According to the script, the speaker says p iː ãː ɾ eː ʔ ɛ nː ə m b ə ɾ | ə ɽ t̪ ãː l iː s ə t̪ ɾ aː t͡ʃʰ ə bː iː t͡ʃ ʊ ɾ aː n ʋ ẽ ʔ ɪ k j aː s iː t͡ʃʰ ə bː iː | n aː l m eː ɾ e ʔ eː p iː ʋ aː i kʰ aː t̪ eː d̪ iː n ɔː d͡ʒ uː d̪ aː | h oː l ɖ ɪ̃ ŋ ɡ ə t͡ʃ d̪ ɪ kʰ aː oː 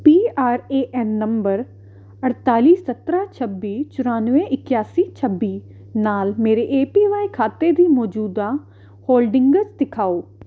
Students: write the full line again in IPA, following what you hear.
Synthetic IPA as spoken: p iː aː ɾ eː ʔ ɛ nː ə m b ə ɾ | ə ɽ t̪ aː l iː s ə t̪ ɾ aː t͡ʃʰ ə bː iː t͡ʃ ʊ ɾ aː n ʋ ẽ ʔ ɪ k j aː s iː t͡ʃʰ ə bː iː | n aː l m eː ɾ e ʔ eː p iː ʋ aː i kʰ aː t̪ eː d̪ iː m ɔː d͡ʒ uː d̪ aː | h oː l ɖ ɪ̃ ŋ ɡ ə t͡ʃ d̪ ɪ kʰ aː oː